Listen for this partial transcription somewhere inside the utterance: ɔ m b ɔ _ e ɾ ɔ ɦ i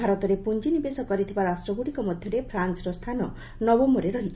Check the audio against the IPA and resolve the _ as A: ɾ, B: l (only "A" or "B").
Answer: A